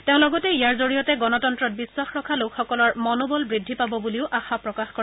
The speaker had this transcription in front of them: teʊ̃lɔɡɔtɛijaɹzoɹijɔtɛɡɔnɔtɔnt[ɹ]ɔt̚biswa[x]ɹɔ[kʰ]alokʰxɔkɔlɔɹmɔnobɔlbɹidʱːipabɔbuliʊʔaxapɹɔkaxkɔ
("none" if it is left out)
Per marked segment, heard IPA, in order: ɹ, x, kʰ

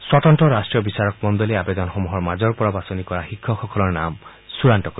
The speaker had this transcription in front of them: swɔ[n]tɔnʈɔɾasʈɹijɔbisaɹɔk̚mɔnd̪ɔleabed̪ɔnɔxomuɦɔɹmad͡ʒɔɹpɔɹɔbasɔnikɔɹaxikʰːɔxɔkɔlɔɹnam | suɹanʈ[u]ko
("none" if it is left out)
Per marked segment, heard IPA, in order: none, ɔ

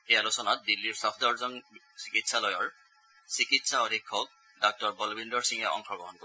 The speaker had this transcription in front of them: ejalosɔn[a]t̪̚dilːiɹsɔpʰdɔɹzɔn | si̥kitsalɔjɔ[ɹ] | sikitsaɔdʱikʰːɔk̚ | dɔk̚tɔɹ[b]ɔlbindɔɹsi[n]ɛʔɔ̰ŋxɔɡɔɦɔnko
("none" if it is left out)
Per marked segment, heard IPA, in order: a, ɹ, b, ŋ

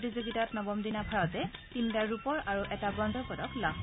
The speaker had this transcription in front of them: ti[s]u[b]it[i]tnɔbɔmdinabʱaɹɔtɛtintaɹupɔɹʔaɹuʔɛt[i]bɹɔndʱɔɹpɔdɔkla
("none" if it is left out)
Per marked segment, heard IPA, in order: z, ɡ, a, a

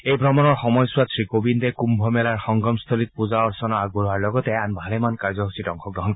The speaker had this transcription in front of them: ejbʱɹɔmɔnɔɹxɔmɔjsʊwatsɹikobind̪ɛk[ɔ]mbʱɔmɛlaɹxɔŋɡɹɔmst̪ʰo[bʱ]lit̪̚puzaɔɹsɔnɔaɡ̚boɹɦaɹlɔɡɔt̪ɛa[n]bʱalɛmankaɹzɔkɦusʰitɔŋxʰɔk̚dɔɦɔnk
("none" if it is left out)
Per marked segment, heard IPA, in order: u, none, n

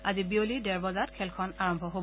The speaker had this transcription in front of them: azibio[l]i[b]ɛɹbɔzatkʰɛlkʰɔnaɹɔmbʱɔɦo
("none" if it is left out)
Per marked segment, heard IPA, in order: l, d

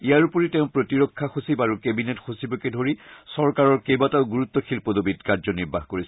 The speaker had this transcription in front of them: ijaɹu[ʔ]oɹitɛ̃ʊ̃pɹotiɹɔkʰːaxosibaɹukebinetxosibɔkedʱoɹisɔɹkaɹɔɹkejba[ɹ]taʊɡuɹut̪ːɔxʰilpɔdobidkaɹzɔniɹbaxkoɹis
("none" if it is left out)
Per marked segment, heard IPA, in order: p, none

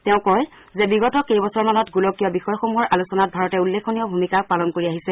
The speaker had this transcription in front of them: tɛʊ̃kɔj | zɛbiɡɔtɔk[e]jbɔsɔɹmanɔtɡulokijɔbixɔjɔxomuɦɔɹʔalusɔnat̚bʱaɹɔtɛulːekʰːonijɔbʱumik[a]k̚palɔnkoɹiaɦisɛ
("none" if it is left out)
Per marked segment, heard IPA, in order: e, a

